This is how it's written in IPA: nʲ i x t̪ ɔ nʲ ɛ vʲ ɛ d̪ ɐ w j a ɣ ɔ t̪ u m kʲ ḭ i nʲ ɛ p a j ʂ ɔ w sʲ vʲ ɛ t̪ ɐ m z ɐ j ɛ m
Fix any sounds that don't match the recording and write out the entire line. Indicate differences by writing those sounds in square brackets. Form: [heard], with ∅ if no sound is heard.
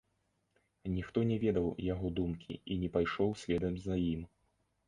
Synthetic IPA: nʲ i x t̪ ɔ nʲ ɛ vʲ ɛ d̪ ɐ w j a ɣ ɔ [d̪] u m kʲ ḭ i nʲ ɛ p a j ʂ ɔ w sʲ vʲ ɛ [d̪] ɐ m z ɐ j [i] m